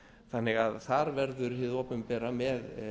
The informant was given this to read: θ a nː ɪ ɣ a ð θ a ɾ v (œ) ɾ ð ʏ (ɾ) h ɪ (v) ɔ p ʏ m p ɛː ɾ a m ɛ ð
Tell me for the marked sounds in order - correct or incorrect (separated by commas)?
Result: incorrect, correct, incorrect